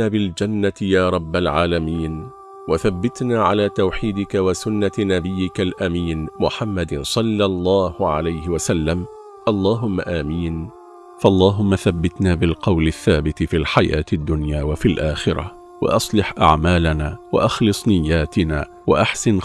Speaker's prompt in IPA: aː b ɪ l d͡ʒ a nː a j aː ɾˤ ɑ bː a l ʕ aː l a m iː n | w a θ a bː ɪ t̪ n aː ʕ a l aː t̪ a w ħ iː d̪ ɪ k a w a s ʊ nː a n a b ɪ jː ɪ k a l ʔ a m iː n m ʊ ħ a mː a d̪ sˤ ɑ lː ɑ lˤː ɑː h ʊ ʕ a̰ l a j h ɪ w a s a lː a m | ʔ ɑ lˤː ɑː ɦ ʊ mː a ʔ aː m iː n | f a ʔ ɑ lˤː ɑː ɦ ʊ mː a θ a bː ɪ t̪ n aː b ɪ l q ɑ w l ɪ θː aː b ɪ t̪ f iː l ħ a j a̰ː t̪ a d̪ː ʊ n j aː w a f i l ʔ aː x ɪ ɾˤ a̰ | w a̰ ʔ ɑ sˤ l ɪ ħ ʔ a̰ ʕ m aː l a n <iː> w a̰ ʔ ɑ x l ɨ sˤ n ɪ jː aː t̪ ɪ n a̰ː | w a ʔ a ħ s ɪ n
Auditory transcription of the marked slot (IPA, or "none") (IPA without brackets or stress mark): aː